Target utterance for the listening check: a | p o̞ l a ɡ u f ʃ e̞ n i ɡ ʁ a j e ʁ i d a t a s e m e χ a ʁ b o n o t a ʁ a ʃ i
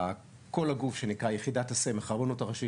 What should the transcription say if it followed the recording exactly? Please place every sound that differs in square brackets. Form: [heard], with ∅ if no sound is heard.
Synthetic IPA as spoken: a | [k] o̞ l a ɡ u f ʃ e̞ n i [k] ʁ a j e [χ] i d a t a s e m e χ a ʁ b o n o t a ʁ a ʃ i